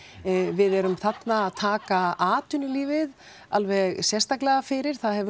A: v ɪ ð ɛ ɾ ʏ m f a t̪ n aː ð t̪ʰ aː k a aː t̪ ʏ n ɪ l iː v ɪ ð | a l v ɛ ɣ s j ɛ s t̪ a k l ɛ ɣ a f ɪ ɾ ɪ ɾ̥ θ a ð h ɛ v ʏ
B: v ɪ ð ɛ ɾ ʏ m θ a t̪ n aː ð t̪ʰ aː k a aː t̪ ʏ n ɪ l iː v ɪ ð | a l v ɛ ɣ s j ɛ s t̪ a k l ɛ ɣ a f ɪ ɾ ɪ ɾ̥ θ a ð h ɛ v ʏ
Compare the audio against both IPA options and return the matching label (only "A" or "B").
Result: B